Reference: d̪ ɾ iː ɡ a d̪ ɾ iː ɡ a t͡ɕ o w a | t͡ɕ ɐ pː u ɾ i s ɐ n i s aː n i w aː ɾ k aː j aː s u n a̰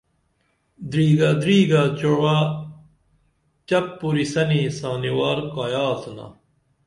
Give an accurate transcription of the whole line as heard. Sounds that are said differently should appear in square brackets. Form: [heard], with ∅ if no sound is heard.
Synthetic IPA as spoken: d̪ ɾ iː ɡ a d̪ ɾ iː ɡ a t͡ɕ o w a | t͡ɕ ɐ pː u ɾ i s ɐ n i s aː n i w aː ɾ k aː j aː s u n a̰